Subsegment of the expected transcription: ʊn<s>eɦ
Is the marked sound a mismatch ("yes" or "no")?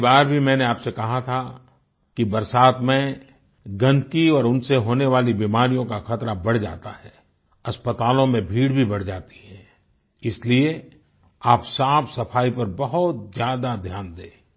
no